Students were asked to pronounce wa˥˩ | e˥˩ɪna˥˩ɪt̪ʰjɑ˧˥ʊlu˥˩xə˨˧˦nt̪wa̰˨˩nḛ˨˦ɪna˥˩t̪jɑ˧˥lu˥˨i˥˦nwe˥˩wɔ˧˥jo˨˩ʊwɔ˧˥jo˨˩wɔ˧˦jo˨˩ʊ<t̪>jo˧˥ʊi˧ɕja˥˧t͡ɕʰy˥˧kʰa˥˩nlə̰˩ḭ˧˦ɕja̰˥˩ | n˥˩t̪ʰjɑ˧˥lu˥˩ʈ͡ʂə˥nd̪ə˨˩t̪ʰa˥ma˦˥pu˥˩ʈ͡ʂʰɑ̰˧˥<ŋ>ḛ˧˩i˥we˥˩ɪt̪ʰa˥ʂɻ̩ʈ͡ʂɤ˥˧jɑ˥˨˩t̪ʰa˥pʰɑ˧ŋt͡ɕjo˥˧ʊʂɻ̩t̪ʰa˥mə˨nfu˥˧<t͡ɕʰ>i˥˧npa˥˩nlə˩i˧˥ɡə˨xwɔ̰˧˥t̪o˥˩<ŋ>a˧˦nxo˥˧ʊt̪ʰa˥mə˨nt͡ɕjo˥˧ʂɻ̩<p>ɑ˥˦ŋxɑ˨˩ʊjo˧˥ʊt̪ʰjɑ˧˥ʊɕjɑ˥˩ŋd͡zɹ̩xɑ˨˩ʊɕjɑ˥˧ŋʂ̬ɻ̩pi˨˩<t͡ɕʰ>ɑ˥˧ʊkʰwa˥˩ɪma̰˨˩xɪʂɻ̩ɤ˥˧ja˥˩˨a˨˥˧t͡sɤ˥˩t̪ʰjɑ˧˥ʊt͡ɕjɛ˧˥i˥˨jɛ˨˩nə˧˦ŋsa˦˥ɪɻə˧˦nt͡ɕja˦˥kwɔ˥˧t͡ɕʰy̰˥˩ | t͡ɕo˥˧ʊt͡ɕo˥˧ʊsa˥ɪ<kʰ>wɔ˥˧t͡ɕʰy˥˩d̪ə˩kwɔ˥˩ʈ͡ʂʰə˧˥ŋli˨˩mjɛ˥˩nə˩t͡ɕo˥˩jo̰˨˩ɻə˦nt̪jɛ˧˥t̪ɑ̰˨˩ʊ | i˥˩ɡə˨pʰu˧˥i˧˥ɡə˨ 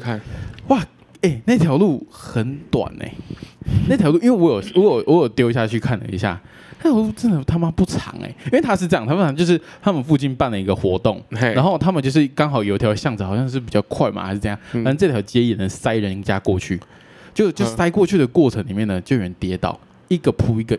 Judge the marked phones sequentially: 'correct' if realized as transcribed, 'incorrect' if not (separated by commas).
correct, correct, incorrect, correct, incorrect, incorrect, incorrect